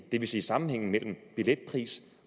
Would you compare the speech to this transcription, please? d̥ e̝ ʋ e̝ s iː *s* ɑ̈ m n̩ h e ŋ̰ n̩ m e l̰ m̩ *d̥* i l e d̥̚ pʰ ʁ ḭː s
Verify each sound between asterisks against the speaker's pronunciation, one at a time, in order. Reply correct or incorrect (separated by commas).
correct, incorrect